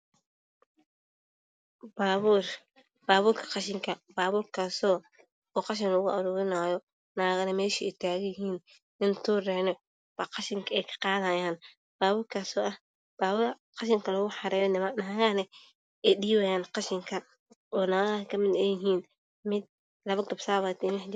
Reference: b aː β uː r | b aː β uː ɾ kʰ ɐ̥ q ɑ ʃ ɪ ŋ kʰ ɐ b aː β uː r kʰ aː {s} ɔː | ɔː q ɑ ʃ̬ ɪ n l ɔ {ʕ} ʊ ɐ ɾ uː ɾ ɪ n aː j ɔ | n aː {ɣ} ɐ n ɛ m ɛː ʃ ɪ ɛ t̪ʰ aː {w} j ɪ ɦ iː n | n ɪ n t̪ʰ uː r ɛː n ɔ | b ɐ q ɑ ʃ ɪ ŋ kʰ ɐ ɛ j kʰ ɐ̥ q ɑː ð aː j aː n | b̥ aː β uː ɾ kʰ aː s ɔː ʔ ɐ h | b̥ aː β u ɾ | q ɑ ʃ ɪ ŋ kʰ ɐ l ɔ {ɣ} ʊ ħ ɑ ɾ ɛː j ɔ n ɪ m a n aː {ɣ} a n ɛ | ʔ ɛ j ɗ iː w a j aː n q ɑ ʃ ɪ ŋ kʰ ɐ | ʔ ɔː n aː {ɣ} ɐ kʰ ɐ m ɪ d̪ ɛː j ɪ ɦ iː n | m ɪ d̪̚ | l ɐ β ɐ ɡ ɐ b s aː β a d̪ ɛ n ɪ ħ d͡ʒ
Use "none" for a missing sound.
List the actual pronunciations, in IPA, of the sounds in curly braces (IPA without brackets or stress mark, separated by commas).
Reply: s, ɣ, ɣ, ɣ, ɣ, ɣ, ɣ